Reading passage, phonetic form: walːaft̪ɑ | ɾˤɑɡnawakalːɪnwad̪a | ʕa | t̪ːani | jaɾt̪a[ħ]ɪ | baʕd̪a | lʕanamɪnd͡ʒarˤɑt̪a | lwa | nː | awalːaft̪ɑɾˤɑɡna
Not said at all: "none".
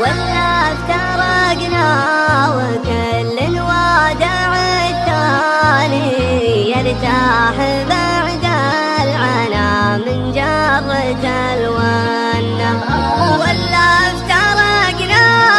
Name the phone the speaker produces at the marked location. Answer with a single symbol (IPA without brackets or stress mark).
ħ